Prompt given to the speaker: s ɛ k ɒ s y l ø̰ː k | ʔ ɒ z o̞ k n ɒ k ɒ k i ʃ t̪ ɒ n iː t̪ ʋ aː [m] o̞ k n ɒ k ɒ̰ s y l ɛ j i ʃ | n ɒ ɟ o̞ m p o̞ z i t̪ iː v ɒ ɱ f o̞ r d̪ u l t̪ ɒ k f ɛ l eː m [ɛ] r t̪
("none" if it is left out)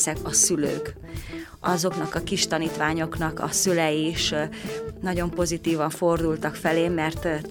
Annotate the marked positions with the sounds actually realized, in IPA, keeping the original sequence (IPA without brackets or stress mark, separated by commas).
ɲ, ɛ